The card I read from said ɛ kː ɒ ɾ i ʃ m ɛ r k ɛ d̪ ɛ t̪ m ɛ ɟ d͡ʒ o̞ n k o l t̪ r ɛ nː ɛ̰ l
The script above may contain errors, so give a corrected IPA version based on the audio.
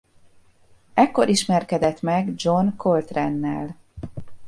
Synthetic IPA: ɛ kː o ɾ i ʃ m ɛ r k ɛ d̪ ɛ t̪ m ɛ ɡ d͡ʒ o̞ n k o l t̪ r ɛ nː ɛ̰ l